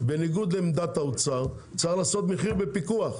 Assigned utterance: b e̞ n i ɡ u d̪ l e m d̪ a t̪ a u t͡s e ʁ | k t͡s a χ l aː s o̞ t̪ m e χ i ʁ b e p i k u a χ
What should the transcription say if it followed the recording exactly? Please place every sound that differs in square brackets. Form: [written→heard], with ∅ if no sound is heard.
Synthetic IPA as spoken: b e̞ n i ɡ u d̪ l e m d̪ a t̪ a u t͡s [e→a] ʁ | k t͡s a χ l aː s o̞ t̪ m e χ i ʁ b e p i k u a χ

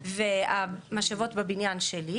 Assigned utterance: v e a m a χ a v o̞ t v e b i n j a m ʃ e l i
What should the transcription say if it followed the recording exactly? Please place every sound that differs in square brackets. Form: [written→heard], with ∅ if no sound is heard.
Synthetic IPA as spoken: v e a m a [χ→ʃ] a v o̞ t [v→b] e b i n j a [m→n] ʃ e l i

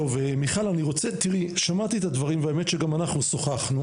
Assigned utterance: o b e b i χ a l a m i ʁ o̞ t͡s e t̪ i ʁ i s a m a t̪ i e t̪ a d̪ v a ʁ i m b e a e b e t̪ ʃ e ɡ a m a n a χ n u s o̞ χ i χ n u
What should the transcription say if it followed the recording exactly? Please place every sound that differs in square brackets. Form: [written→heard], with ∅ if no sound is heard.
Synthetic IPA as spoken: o [b→v] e [b→m] i χ a l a [m→n] i ʁ o̞ t͡s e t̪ i ʁ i [s→ʃ] a m a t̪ i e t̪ a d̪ v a ʁ i m [b→v] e a e [b→m] e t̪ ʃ e ɡ a m a n a χ n u s o̞ χ [i→a] χ n u

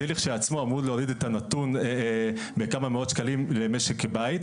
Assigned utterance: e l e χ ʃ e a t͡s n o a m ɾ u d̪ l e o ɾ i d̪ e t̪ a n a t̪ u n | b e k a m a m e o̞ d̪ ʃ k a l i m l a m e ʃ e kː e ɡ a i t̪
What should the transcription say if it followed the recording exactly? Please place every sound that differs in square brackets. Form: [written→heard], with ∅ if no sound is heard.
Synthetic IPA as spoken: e l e χ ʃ e a t͡s [n→m] o a m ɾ u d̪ l e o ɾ i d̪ e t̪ a n a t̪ u n | b e k a m a m e o̞ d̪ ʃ k a l i m l [a→e] m e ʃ e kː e [ɡ→b] a i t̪

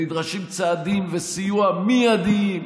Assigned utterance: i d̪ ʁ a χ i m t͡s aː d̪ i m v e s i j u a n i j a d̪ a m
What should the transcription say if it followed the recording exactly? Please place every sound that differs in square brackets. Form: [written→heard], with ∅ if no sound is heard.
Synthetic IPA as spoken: i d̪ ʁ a [χ→ʃ] i m t͡s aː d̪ i m v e s i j u a [n→m] i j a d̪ [a→i] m

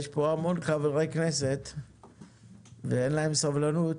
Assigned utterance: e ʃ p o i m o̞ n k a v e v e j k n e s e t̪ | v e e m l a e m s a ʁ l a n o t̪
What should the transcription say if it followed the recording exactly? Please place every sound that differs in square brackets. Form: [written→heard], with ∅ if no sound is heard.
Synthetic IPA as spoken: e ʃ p o [i→a] m o̞ n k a v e [v→ʁ] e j k n e s e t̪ | v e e [m→n] l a e m s a [ʁ→v] l a n [o→u] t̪

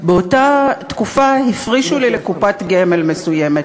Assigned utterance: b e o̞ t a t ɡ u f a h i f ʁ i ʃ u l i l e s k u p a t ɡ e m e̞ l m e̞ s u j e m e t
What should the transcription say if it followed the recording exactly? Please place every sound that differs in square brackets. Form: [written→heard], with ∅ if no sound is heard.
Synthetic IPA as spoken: b e o̞ t a t [ɡ→k] u f a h i f ʁ i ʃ u l i l e [s→∅] k u p a t ɡ e m e̞ l m e̞ s u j e m e t

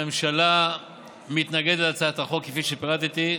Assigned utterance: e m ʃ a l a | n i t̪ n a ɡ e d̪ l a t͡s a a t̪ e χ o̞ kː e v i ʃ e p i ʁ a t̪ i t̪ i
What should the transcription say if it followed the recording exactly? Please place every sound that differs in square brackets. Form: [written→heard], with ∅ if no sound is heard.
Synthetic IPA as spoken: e m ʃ a l a | [n→m] i t̪ n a ɡ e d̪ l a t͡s a a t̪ [e→a] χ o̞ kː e [v→f] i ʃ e p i ʁ a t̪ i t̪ i

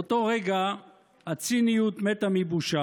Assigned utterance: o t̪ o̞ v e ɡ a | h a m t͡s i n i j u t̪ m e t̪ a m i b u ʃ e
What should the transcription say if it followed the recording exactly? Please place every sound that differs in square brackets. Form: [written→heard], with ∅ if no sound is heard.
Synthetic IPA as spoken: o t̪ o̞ [v→ʁ] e ɡ a | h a [m→∅] t͡s i n i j u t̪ m e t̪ a m i b u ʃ [e→a]

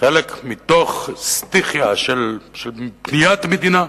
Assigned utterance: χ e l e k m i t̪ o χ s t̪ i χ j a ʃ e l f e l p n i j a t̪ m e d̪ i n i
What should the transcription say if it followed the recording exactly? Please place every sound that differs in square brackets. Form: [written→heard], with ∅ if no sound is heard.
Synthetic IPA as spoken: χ e l e k m i t̪ o χ s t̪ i χ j a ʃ e l [f→ʃ] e l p n i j a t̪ m e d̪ i n [i→a]

